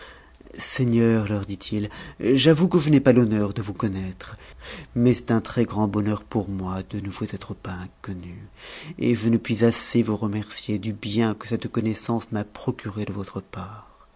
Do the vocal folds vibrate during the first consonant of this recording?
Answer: no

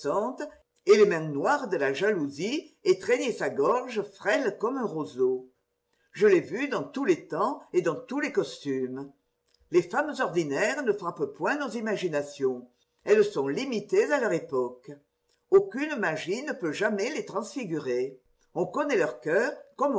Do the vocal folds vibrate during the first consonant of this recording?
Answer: no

